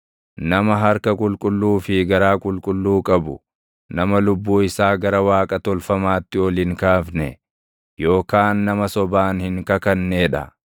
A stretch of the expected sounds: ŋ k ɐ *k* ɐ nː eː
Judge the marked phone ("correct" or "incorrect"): correct